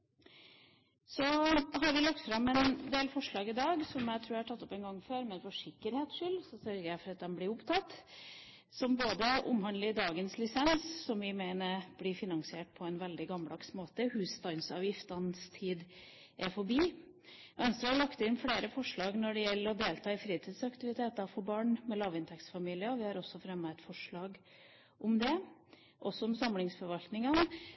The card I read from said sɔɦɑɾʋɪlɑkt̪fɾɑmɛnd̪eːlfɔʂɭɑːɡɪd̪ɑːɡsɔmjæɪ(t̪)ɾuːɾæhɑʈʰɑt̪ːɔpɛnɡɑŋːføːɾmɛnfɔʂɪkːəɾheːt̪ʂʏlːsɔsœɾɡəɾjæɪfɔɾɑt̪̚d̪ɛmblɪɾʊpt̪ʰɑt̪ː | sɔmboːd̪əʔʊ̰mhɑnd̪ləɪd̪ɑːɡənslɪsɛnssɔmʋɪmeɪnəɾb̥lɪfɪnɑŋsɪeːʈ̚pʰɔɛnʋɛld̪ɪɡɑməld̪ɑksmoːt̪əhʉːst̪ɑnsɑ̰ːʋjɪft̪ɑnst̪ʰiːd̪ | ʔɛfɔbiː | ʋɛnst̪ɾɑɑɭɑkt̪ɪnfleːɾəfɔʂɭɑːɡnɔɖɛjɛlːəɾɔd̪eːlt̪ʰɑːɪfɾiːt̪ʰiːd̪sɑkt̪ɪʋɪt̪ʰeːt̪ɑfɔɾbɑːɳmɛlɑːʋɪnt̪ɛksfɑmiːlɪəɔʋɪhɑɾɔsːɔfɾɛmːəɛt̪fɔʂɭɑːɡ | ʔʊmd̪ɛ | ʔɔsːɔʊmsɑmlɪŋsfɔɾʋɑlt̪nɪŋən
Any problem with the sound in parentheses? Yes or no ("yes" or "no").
yes